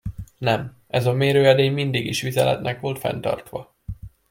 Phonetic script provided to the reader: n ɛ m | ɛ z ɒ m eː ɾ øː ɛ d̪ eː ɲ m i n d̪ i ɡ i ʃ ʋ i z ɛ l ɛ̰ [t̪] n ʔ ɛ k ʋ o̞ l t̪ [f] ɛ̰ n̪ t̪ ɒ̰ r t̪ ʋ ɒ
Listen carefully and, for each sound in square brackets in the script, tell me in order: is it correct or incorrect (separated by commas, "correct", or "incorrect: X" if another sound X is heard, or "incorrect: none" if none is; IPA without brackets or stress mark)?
correct, correct